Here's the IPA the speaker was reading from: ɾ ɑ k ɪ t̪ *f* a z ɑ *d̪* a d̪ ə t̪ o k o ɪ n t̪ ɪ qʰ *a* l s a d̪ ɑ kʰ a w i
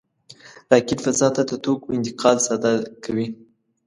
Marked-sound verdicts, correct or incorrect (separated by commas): correct, incorrect, incorrect